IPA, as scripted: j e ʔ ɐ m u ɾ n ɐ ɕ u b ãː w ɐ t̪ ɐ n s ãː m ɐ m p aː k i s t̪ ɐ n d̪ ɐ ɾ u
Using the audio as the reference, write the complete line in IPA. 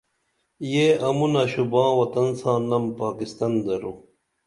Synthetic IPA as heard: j e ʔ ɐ m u n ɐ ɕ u b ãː w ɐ t̪ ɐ n s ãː n ɐ m p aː k i s t̪ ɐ n d̪ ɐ ɾ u